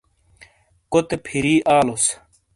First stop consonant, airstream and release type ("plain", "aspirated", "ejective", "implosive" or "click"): plain